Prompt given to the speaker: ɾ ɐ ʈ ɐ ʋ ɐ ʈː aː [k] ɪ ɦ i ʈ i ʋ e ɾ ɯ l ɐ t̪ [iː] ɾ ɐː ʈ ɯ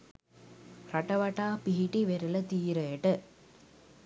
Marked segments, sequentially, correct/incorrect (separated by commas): incorrect, correct